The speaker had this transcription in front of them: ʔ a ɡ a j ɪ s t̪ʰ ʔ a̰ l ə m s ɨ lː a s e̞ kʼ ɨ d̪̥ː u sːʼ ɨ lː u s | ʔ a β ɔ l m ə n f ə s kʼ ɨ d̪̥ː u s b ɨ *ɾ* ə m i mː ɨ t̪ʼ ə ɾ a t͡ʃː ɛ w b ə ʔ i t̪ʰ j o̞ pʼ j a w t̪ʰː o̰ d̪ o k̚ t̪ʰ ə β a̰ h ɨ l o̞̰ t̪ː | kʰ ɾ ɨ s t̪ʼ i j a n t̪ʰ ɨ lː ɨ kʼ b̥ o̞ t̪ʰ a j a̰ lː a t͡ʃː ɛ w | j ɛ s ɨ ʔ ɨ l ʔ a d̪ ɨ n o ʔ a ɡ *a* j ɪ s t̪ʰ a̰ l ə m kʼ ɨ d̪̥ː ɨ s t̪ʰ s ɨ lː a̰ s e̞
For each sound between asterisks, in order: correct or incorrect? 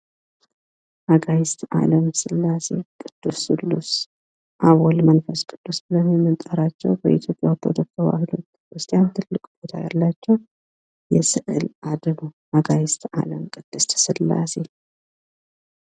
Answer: incorrect: l, correct

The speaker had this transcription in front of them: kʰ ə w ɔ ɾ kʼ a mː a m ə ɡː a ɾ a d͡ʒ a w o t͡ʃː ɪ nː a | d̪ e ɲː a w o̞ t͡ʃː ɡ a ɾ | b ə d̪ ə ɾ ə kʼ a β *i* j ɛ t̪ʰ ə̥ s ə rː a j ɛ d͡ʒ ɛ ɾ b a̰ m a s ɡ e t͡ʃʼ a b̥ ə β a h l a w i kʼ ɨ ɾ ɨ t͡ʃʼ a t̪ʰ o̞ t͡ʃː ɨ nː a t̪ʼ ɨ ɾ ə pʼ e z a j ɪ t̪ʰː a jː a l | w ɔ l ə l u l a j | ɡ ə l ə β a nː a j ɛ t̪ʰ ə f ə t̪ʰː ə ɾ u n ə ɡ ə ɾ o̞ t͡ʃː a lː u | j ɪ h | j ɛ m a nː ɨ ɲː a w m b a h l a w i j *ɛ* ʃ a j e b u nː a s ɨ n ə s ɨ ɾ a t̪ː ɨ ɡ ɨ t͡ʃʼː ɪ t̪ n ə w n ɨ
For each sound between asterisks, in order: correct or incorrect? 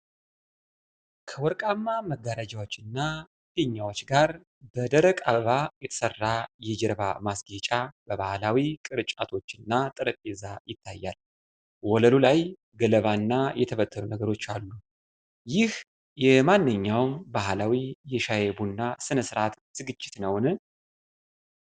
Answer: incorrect: a, correct

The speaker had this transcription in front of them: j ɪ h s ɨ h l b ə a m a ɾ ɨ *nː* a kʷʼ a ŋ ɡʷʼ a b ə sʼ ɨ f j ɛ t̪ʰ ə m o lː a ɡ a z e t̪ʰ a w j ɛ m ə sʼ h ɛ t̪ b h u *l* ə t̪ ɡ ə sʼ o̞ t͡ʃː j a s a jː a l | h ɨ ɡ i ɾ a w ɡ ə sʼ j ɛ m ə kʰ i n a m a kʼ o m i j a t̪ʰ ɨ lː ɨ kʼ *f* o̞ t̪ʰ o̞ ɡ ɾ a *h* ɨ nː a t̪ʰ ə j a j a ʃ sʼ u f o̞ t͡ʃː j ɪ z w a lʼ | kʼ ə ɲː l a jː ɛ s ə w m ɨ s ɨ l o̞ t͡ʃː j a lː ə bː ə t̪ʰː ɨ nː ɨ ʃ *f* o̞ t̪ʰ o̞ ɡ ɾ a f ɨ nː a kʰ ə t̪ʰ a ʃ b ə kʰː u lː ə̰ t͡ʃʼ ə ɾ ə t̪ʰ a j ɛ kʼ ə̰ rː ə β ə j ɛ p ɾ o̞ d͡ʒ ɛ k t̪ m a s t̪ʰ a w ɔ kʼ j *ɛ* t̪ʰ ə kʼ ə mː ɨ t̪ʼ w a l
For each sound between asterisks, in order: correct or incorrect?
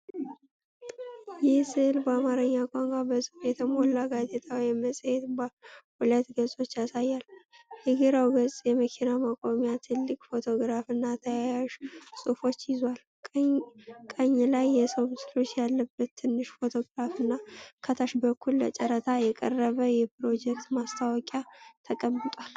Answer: incorrect: ɲː, correct, correct, incorrect: f, correct, incorrect: a

